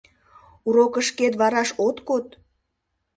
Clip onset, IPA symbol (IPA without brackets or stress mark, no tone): u